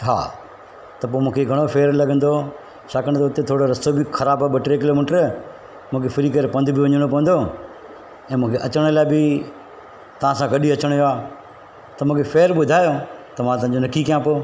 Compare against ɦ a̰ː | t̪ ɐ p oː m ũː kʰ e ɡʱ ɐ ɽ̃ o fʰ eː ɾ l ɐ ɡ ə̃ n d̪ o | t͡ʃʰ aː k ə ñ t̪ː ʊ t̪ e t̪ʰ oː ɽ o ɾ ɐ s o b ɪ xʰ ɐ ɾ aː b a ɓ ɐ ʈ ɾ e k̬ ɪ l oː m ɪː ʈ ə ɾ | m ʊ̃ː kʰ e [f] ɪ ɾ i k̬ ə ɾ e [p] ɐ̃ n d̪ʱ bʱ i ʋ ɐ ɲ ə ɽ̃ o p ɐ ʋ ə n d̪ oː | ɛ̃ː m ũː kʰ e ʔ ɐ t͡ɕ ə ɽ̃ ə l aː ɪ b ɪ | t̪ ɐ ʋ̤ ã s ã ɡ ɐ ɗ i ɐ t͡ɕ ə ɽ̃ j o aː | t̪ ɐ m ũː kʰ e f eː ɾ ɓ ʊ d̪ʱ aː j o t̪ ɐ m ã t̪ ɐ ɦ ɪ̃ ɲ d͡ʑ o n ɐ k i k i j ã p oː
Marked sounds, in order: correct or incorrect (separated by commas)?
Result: correct, correct